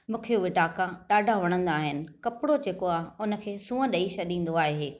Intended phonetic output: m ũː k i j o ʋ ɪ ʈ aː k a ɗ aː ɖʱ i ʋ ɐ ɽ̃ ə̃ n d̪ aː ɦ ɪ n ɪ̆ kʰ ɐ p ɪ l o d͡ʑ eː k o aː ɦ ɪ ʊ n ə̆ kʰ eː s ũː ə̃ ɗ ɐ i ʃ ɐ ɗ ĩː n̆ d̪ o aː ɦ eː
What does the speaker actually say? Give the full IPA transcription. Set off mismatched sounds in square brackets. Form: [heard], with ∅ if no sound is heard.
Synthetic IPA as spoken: m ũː [kʰ] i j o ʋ ɪ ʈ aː k a ɗ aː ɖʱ [a] ʋ ɐ ɽ̃ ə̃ n d̪ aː ɦ ɪ n ɪ̆ [k] ɐ p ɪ [ɽ] o d͡ʑ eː k o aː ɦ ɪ ʊ n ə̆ kʰ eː s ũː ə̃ ɗ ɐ i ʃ ɐ ɗ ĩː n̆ d̪ o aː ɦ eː